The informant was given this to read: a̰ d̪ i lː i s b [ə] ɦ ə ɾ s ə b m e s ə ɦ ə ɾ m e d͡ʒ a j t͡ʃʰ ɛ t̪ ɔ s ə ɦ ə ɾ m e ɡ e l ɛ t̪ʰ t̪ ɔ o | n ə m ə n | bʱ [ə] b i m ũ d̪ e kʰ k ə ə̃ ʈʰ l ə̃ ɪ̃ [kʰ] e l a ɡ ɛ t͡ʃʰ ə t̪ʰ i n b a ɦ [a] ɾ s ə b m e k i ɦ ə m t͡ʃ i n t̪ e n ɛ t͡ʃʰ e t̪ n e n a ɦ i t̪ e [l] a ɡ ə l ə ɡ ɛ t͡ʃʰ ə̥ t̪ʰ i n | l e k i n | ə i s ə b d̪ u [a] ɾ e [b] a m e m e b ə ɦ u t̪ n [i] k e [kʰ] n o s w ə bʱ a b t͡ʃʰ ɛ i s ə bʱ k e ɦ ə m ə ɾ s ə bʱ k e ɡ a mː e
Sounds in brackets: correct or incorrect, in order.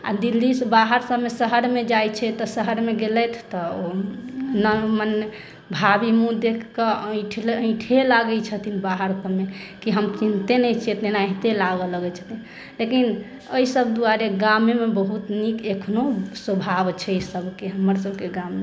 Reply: incorrect, incorrect, incorrect, incorrect, correct, correct, incorrect, correct, correct

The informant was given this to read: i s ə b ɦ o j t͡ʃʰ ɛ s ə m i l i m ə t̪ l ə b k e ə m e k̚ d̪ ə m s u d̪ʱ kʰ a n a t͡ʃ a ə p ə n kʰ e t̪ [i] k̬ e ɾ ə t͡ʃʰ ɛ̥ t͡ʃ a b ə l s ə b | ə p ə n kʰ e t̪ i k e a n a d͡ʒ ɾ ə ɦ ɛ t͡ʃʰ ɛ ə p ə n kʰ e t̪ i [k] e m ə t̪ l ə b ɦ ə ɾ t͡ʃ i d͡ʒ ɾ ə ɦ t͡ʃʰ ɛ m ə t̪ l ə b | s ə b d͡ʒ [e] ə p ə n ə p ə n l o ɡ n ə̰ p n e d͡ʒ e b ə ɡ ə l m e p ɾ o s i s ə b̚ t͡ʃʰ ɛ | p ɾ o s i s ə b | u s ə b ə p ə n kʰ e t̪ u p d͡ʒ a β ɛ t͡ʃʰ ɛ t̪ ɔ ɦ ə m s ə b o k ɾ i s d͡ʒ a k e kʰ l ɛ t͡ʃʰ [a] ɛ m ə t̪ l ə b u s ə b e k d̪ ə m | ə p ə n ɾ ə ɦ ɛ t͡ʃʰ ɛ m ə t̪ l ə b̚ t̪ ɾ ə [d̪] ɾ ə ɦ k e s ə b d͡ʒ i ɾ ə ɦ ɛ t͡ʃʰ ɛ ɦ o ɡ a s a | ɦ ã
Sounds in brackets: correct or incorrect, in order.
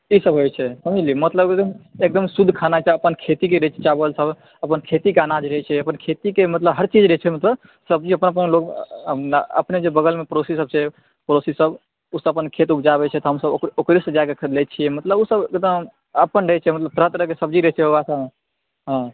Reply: correct, correct, incorrect, incorrect, incorrect

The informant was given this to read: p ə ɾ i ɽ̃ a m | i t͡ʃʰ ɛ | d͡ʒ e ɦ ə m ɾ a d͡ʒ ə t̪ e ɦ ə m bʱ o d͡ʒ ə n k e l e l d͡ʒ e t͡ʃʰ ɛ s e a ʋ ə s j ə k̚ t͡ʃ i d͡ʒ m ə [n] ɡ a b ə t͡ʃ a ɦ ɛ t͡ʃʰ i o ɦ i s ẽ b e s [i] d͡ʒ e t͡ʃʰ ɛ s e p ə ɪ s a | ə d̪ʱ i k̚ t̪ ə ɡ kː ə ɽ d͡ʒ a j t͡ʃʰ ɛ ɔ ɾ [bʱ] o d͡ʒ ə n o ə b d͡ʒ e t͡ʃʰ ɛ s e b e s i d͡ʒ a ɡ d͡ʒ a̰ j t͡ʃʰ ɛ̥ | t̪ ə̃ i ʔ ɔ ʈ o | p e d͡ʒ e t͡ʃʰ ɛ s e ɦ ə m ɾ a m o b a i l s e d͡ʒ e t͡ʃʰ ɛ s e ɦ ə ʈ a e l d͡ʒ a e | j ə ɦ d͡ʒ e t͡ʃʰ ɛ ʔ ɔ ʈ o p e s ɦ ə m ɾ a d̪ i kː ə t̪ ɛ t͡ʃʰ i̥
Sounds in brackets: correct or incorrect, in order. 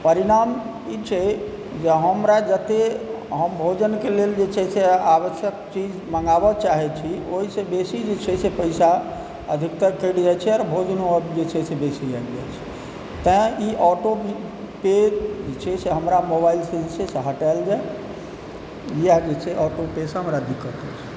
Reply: incorrect, correct, correct

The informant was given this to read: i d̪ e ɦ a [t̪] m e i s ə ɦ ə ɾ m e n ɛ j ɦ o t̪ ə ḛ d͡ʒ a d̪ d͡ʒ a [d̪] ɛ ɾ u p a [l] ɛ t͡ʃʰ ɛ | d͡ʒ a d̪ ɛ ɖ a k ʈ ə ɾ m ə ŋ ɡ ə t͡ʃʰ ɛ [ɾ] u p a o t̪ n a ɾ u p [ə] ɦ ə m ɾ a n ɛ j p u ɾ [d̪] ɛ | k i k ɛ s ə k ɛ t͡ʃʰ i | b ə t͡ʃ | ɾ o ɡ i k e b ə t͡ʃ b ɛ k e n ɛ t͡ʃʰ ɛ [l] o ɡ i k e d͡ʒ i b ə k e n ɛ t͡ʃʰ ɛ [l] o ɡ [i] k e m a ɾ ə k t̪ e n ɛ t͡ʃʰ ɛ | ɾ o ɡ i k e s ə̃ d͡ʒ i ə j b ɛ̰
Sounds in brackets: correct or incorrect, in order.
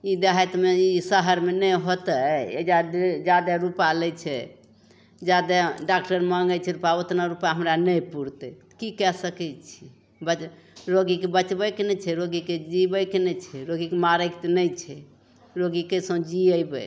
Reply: correct, correct, correct, correct, incorrect, incorrect, incorrect, incorrect, correct

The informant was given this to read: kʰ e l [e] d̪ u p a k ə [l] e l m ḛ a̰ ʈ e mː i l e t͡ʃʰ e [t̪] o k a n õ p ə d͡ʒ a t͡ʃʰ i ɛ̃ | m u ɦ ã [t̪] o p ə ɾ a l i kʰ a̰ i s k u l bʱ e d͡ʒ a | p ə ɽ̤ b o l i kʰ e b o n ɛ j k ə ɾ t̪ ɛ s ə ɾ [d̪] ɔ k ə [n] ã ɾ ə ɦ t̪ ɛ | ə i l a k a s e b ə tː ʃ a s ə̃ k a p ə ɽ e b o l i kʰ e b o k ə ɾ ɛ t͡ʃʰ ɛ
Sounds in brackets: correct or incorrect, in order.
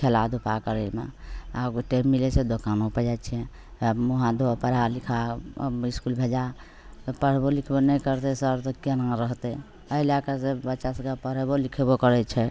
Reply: incorrect, incorrect, incorrect, incorrect, incorrect, correct

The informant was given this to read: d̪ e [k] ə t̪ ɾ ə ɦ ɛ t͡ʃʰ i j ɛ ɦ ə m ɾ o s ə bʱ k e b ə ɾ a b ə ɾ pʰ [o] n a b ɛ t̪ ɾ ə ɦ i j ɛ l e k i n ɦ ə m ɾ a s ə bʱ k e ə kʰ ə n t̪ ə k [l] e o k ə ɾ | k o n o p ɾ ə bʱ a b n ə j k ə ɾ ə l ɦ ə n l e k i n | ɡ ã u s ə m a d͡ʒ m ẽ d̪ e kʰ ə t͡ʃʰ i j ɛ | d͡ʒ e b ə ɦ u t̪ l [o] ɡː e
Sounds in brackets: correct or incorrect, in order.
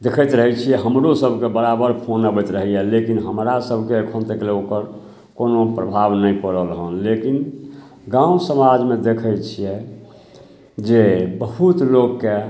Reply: incorrect, correct, correct, correct

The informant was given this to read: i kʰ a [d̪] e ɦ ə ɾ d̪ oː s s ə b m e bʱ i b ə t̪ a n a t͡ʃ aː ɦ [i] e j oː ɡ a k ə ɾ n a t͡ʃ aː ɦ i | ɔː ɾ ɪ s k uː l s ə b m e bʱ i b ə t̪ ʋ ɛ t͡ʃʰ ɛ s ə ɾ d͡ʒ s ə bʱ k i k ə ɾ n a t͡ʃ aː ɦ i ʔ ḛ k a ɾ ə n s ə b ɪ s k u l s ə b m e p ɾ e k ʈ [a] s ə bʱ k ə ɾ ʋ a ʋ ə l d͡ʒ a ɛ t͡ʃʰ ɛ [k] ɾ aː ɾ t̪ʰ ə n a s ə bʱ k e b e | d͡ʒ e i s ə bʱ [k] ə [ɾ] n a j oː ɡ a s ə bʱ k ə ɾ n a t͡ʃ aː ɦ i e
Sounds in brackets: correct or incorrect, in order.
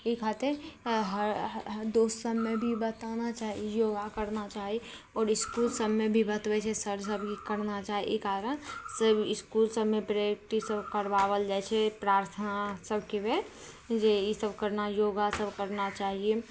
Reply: incorrect, correct, incorrect, incorrect, correct, correct

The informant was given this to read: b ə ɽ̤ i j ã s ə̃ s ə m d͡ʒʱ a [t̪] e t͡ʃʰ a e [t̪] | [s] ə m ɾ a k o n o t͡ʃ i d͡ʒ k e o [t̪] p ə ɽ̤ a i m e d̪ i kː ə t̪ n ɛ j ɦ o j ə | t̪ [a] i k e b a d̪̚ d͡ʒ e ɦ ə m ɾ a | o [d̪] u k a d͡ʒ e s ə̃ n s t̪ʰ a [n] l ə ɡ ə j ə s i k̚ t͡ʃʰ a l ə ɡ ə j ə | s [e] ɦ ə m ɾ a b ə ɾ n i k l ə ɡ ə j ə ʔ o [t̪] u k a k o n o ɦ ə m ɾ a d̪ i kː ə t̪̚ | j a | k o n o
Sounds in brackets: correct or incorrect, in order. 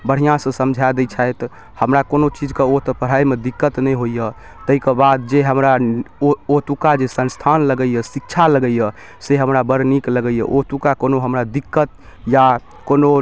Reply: incorrect, correct, incorrect, correct, incorrect, incorrect, correct, correct, correct

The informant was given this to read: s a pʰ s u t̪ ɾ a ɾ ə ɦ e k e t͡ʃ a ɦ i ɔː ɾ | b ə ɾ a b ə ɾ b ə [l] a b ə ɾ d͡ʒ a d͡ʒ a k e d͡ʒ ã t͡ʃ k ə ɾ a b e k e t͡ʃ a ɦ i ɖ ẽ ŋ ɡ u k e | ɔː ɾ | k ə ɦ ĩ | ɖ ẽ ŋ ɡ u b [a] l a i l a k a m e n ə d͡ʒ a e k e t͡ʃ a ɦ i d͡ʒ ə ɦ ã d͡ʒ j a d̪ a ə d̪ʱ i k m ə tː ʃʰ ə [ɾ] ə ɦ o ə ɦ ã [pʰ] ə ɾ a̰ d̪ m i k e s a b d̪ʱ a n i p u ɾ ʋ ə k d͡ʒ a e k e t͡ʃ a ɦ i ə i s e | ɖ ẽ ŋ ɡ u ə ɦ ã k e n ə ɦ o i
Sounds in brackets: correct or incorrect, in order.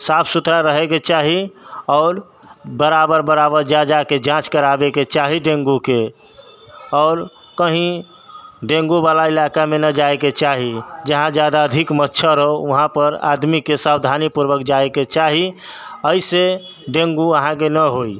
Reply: incorrect, correct, correct, incorrect

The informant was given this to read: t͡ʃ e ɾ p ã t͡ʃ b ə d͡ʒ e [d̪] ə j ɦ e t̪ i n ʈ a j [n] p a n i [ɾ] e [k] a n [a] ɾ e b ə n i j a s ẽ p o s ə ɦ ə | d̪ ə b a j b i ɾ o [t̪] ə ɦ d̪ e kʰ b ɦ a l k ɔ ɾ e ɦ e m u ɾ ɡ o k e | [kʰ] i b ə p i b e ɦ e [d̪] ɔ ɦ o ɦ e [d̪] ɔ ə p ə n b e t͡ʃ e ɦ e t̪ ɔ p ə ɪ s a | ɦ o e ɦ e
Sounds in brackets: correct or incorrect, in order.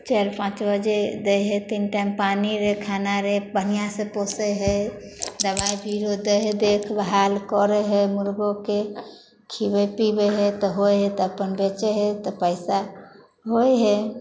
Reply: correct, incorrect, correct, incorrect, correct, incorrect, correct, incorrect, incorrect

